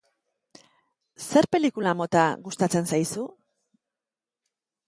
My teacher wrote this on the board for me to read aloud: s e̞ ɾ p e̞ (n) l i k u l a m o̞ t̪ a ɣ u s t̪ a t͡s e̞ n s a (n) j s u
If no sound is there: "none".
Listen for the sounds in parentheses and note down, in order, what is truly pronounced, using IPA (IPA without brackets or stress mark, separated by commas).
none, none